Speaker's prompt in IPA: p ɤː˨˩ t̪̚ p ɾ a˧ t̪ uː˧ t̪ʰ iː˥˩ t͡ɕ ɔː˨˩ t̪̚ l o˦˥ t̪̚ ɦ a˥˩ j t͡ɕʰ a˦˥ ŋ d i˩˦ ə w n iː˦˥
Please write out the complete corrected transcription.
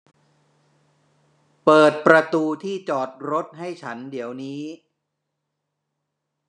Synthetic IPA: p ɤː˨˩ t̪̚ p ɾ a˧ t̪ uː˧ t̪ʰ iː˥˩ t͡ɕ ɔː˨˩ t̪̚ ɾ o˦˥ t̪̚ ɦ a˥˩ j t͡ɕʰ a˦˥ n d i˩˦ ə w n iː˦˥